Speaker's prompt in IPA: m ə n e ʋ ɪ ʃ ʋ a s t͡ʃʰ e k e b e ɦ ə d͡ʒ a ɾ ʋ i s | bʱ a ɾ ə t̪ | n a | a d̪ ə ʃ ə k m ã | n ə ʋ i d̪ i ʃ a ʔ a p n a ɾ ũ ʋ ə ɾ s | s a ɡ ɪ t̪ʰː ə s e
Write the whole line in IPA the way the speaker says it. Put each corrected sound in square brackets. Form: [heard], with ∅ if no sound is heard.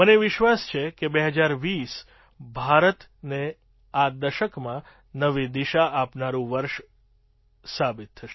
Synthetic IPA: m ə n e ʋ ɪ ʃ ʋ a s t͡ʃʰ e k e b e ɦ ə d͡ʒ a ɾ ʋ i s | bʱ a ɾ ə t̪ | n [e] | a d̪ ə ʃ ə k m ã | n ə ʋ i d̪ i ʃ a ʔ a p n a ɾ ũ ʋ ə ɾ [ʃ] | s a [b] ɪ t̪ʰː ə [ʃ] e